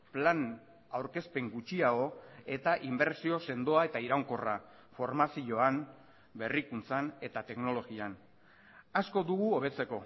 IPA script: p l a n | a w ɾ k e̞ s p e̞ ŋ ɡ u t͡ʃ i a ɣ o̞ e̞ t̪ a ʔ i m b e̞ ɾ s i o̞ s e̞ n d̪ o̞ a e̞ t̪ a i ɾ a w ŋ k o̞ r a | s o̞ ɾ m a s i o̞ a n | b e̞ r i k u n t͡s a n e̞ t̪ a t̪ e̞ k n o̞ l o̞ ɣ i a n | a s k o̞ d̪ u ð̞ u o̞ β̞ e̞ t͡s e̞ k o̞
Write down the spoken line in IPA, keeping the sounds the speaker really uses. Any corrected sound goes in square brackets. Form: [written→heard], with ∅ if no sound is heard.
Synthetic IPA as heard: p l a n | a w ɾ k e̞ s p e̞ ŋ ɡ u t͡ʃ i a ɣ o̞ e̞ t̪ a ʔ i m b e̞ ɾ s i o̞ s e̞ n d̪ o̞ a e̞ t̪ a i ɾ a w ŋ k o̞ r a | [s→f] o̞ ɾ m a s i o̞ a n | b e̞ r i k u n t͡s a n e̞ t̪ a t̪ e̞ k n o̞ l o̞ ɣ i a n | a s k o̞ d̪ u [ð̞→ɣ̞] u o̞ β̞ e̞ t͡s e̞ k o̞